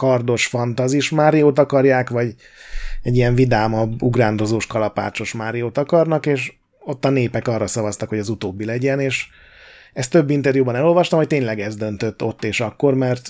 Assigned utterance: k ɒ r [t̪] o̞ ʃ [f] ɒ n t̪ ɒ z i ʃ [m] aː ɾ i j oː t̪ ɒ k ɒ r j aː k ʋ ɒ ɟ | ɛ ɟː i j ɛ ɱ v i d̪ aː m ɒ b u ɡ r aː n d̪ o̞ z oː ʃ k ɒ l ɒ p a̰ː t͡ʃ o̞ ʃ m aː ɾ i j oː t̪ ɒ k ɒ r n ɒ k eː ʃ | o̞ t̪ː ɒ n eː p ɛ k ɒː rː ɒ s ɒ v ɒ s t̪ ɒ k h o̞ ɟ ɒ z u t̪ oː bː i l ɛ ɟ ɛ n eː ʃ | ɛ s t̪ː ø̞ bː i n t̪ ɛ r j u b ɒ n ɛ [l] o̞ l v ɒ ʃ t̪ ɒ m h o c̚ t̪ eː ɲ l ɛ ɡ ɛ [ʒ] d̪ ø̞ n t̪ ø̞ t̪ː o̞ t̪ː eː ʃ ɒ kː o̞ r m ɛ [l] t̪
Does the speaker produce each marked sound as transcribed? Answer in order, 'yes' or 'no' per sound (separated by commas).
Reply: no, yes, yes, yes, no, no